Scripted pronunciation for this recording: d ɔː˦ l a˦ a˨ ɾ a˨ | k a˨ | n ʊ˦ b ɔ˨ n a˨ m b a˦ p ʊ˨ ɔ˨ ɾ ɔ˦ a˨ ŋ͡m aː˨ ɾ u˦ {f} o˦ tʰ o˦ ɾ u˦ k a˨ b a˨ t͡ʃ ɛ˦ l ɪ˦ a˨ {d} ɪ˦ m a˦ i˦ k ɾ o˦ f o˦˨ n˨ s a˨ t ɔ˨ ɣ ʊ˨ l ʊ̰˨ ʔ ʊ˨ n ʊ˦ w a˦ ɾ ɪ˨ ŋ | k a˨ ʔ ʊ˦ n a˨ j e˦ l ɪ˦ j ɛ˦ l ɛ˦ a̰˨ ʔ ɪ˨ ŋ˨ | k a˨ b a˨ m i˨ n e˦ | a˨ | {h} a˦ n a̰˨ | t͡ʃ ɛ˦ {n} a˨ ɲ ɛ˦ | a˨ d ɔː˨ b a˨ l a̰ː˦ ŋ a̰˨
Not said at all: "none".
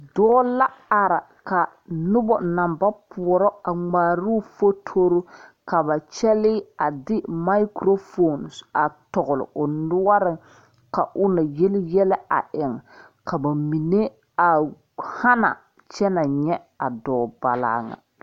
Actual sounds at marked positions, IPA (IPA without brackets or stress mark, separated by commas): f, d, h, n